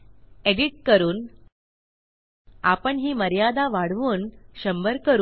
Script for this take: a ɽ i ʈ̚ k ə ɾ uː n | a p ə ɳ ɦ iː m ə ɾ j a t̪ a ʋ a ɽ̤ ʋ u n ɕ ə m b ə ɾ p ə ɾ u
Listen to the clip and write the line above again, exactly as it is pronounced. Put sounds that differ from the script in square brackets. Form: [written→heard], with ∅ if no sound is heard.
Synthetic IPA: [a→e] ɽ i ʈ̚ k ə ɾ uː n | a p ə ɳ ɦ iː m ə ɾ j a [t̪→d̪] a ʋ a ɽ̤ ʋ [u→uː] n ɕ ə m b ə ɾ [p→k] ə ɾ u